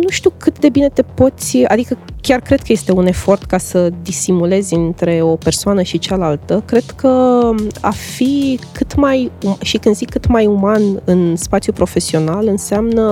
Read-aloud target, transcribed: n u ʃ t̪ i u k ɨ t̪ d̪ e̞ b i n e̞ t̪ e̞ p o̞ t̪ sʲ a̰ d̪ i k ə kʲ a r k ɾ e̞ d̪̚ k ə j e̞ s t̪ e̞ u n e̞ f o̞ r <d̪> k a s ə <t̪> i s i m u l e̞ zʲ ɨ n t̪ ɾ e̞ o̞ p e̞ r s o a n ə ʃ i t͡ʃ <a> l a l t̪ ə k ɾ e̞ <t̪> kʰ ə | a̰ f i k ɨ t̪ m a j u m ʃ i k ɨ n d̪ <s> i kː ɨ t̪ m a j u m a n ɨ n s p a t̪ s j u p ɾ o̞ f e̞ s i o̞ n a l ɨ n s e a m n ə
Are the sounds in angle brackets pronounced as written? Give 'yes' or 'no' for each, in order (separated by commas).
no, no, yes, no, no